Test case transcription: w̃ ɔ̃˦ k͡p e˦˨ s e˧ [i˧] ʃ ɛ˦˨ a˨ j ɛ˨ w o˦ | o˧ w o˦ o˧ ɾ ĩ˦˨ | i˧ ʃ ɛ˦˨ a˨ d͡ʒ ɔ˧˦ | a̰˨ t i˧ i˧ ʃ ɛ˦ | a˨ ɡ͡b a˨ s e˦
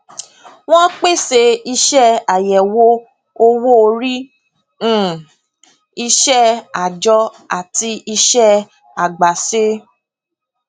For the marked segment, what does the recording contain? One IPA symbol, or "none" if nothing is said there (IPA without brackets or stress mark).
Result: i˧